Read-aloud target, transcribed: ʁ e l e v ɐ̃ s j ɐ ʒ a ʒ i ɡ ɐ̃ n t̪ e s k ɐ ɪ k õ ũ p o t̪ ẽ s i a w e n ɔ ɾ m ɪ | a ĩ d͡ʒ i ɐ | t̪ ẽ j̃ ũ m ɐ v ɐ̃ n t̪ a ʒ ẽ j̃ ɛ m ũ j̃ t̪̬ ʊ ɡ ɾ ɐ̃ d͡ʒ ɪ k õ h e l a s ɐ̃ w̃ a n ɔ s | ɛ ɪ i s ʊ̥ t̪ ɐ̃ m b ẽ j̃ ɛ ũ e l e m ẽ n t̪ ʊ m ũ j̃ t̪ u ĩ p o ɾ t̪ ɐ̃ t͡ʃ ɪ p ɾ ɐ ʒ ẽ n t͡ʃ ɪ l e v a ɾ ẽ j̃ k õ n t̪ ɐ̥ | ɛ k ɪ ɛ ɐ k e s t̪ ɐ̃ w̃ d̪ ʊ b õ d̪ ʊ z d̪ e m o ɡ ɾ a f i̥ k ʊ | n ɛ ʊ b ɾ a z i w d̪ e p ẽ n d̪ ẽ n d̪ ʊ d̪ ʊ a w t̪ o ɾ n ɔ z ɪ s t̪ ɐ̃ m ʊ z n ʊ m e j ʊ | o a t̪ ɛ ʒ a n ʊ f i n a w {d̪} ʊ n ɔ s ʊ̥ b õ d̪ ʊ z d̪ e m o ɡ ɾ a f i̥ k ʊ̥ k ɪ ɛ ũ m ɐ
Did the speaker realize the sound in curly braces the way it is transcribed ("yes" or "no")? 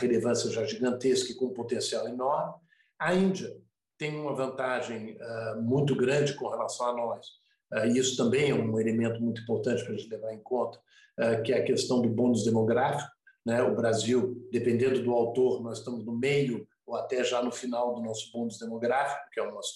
yes